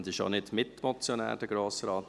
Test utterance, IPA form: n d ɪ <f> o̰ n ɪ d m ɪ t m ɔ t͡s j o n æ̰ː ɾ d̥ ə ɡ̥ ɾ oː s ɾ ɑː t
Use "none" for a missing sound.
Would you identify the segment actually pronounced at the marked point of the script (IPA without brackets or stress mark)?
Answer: ʃ